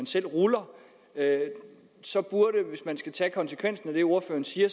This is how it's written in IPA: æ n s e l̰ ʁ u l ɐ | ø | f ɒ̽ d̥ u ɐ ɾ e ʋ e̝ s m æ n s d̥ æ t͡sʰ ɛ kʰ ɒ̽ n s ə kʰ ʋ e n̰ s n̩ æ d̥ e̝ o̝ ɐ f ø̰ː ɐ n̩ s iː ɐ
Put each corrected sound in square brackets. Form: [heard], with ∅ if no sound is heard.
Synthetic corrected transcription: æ n s e l̰ ʁ u l ɐ | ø | [s] ɒ̽ [b̥] u ɐ ɾ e ʋ e̝ s m æ n s [ɡ̥] æ t͡sʰ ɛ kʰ ɒ̽ n s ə kʰ ʋ e n̰ s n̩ æ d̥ e̝ o̝ ɐ f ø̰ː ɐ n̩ s iː ɐ